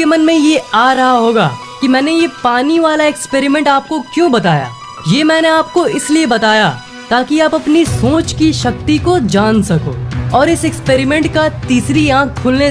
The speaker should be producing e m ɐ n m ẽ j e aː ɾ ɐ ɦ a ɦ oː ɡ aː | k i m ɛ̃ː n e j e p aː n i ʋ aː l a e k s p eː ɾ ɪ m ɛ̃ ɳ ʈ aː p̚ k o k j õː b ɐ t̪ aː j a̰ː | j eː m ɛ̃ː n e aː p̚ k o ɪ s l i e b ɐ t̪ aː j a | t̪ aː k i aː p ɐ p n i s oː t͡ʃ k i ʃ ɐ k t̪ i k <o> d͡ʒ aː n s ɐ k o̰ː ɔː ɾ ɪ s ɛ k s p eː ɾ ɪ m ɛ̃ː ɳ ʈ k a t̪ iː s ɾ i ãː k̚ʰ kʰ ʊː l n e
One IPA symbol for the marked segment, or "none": o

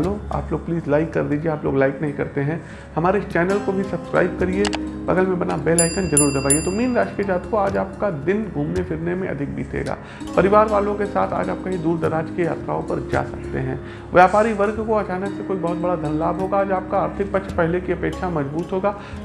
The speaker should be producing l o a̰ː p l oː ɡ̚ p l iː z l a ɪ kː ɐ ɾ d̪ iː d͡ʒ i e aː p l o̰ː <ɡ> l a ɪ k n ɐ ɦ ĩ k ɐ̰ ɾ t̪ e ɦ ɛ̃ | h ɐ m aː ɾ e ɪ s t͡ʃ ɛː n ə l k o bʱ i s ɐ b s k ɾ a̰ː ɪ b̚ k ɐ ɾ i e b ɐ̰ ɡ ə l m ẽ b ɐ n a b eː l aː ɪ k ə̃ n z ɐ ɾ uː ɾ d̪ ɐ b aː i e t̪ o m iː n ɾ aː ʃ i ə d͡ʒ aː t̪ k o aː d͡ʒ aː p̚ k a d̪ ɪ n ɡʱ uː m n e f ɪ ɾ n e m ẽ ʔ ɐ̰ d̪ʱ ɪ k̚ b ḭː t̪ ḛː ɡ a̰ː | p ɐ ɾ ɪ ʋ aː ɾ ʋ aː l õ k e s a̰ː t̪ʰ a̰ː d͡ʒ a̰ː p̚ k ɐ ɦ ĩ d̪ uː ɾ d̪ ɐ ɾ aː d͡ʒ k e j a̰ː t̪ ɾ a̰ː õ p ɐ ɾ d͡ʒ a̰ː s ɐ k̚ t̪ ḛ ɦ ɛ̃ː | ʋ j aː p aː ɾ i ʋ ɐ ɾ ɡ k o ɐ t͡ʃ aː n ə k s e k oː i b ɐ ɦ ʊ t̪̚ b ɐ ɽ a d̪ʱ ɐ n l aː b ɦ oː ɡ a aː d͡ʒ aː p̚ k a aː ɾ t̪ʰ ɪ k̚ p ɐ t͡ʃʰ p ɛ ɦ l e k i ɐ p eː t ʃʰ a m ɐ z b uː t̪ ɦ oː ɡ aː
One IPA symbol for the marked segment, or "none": ɡ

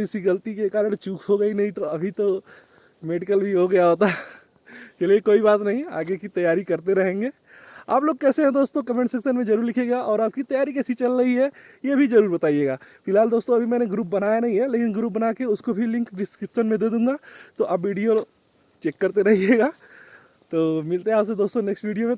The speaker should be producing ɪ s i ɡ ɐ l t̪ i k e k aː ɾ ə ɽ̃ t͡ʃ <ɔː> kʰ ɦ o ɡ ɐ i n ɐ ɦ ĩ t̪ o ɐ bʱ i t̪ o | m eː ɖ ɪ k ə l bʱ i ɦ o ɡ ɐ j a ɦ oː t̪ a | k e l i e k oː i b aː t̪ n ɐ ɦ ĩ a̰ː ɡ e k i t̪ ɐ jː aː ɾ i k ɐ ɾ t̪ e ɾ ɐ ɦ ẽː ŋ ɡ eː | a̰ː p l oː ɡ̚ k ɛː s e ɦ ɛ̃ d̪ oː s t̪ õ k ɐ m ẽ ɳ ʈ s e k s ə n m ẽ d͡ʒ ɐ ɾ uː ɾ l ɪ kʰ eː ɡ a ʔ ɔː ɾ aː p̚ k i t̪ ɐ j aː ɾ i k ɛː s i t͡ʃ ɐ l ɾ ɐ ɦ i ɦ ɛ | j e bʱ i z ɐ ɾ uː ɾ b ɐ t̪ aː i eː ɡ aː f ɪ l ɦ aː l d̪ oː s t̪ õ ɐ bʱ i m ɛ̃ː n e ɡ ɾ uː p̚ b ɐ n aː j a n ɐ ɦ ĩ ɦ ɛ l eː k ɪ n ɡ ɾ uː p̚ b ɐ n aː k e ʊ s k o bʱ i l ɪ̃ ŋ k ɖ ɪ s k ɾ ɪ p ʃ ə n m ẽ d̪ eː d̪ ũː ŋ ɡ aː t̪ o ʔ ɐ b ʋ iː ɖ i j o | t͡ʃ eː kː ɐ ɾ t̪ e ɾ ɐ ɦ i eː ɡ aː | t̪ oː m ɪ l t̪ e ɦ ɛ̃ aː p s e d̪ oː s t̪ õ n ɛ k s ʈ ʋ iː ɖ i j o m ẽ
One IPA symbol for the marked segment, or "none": uː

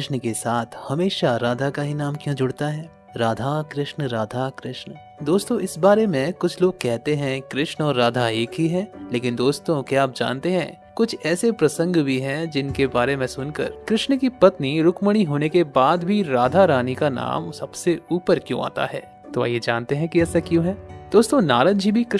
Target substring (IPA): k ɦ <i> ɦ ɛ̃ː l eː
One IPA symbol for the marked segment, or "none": i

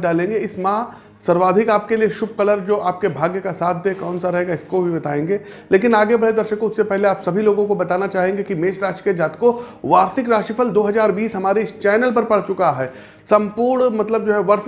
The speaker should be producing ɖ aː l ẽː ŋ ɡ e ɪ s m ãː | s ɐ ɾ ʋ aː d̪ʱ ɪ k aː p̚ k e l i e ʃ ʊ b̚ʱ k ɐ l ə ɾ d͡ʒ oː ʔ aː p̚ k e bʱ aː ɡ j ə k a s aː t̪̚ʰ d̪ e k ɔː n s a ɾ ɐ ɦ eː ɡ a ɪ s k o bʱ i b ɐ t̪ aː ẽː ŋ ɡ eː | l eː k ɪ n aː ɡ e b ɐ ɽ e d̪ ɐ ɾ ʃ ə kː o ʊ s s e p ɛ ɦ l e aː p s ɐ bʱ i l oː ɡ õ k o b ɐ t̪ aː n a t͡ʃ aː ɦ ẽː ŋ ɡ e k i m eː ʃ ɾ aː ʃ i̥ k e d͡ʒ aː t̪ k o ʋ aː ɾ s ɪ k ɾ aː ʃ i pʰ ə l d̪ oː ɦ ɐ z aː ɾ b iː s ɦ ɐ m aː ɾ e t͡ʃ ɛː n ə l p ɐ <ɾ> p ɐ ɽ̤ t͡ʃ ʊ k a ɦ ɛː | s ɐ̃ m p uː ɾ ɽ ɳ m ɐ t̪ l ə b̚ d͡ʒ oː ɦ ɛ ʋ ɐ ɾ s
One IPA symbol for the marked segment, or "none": ɾ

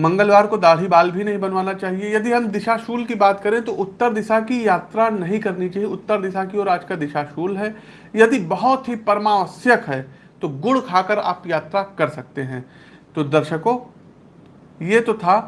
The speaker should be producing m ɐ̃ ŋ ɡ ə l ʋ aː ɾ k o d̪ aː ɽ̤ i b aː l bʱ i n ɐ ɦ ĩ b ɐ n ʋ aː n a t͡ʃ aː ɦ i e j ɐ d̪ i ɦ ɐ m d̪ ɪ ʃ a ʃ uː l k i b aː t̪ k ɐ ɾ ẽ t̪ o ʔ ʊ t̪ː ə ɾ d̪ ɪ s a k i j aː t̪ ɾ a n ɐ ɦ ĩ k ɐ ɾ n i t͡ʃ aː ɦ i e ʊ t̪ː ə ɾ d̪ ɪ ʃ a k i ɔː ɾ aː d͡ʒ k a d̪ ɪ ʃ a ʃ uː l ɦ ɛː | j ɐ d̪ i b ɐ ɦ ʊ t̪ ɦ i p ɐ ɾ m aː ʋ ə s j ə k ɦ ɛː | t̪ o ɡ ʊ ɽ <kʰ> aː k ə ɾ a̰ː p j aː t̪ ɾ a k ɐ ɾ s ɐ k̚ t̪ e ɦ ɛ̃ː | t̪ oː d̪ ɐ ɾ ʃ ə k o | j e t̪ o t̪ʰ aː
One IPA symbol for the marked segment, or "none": kʰ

